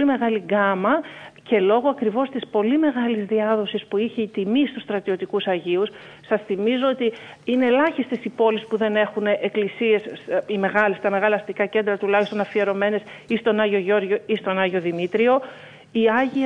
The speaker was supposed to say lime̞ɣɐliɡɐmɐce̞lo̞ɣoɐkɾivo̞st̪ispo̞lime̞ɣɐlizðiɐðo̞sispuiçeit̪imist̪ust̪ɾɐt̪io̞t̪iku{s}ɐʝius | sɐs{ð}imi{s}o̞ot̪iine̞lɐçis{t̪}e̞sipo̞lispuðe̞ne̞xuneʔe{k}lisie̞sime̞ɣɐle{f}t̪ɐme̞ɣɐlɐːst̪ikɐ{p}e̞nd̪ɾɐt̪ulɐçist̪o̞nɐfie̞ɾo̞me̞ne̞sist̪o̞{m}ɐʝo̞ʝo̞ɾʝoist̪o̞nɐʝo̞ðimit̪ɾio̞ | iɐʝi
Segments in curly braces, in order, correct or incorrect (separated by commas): correct, incorrect, incorrect, correct, correct, incorrect, incorrect, incorrect